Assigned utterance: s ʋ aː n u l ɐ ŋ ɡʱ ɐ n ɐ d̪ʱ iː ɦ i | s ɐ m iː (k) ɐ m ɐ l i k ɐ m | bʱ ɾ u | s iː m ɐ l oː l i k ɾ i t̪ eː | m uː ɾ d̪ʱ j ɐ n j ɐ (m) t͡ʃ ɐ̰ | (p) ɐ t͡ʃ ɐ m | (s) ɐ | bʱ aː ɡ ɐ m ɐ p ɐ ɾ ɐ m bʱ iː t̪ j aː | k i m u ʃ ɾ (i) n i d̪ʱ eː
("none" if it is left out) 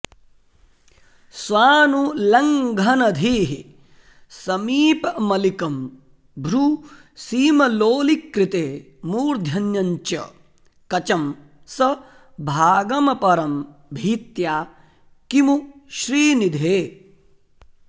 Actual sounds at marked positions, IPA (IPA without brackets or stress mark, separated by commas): p, ɲ, k, s, iː